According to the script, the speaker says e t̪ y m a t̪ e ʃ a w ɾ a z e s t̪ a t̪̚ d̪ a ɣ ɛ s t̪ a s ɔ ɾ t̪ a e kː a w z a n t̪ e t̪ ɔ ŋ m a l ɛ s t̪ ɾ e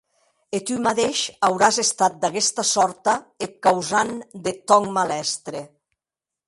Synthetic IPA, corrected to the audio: e t̪ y m a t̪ e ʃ a w ɾ a z e s t̪ a t̪̚ d̪ a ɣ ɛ s t̪ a s ɔ ɾ t̪ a e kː a w z a n d̪ e t̪ ɔ ŋ m a l ɛ s t̪ ɾ e